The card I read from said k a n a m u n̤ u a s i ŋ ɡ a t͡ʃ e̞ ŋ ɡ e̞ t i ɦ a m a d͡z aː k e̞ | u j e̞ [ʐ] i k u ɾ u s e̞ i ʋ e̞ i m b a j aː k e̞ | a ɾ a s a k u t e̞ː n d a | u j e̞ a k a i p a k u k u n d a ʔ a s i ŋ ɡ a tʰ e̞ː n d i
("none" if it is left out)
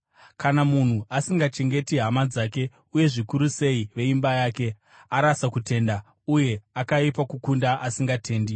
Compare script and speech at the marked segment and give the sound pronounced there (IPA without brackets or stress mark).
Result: ʐ